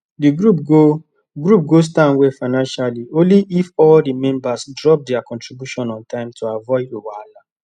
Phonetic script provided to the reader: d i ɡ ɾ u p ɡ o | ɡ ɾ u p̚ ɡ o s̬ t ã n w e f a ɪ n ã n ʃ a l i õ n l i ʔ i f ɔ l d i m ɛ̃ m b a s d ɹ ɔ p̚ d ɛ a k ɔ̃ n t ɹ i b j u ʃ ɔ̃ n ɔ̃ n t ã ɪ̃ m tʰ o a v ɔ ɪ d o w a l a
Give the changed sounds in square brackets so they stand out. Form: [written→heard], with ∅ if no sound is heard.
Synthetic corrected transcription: d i ɡ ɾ u p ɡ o | ɡ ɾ u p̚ ɡ o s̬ t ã n w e f a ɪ n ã n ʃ a l i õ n l i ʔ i f ɔ l d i m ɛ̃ m b a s d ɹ ɔ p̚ d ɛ a k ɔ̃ n t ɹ i b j u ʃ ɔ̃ n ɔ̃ n t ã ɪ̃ m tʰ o a v ɔ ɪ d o w a l a